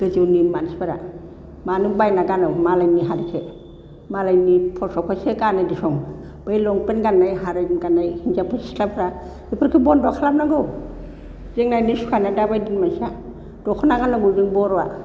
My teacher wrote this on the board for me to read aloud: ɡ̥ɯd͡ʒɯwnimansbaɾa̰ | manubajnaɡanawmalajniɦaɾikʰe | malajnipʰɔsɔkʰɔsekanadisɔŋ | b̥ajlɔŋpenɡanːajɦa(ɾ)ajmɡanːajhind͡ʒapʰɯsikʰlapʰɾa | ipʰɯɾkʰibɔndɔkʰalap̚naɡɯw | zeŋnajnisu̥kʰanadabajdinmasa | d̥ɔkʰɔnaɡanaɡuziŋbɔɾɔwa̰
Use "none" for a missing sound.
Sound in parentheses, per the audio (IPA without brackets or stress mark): ɾ